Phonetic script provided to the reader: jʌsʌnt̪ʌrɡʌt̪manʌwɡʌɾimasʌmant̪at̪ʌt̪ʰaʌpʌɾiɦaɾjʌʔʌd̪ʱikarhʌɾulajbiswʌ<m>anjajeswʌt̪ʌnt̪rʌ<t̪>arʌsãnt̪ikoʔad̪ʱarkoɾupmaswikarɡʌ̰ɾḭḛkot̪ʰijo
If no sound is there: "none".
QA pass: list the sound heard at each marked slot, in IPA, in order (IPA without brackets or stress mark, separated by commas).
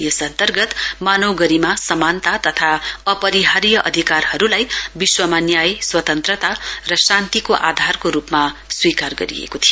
m, t̪